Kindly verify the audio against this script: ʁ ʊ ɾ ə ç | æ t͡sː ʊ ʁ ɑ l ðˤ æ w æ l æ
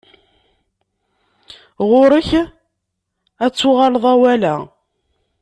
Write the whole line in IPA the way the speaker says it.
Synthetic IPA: ʁ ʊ ɾ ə ç | æ t͡sː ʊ ʁ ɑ l ðˤ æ w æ l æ